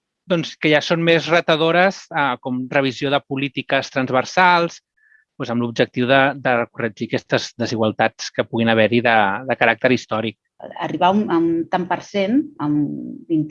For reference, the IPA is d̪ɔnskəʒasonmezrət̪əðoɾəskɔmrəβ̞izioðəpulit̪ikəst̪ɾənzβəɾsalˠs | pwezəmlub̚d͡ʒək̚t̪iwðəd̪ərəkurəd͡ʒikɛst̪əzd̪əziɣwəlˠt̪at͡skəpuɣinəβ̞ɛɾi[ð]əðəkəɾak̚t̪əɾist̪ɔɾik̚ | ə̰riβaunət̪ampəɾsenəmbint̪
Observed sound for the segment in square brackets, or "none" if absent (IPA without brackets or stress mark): ð